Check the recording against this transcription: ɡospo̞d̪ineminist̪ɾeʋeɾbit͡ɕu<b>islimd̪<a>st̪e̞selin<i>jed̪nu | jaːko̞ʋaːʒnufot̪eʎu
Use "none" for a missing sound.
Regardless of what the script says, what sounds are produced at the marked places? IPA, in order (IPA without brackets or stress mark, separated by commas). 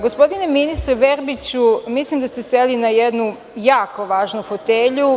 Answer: m, a, a